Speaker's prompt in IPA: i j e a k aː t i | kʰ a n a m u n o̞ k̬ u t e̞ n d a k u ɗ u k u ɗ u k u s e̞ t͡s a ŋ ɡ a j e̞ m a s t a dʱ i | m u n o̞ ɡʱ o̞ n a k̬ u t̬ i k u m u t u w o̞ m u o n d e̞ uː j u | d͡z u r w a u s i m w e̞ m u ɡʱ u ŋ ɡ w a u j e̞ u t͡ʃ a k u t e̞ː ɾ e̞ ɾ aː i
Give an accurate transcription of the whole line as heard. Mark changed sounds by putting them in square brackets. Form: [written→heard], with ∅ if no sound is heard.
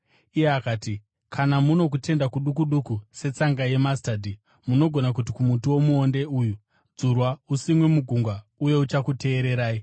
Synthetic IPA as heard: i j e a k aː t i | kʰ a n a m u n o̞ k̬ u t e̞ n d a k u ɗ u k u ɗ u k u s e̞ t͡s a ŋ ɡ a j e̞ m a s t a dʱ i | m u n o̞ ɡʱ o̞ n a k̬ u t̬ i k u m u t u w o̞ m u o n d e̞ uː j u | d͡z u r w a u s i m w e̞ m u ɡʱ u ŋ ɡ w a u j e̞ u t͡ʃ a k u t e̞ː ɾ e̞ ɾ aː i